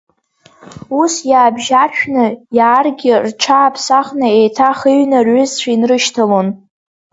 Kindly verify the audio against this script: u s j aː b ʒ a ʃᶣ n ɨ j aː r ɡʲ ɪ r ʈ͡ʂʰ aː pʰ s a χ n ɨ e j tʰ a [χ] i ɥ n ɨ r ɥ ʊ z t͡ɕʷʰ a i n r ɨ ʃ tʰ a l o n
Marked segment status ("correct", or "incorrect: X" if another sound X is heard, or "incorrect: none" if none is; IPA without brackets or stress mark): correct